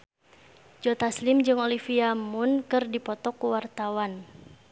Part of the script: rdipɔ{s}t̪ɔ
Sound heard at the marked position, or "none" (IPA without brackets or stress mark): none